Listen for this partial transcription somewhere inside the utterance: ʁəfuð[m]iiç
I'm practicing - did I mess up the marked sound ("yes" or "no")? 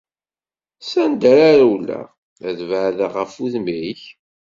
no